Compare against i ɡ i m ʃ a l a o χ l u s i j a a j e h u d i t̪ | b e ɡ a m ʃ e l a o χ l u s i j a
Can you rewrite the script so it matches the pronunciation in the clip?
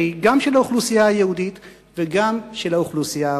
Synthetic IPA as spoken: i ɡ a m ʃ e l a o χ l u s i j a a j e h u d i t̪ | v e ɡ a m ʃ e l a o χ l u s i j a